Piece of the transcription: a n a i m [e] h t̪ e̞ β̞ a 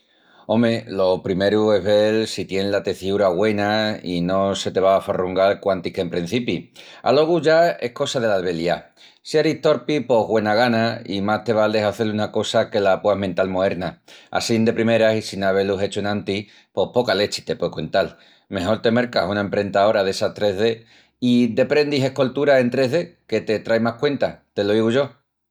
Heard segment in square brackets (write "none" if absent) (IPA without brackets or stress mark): a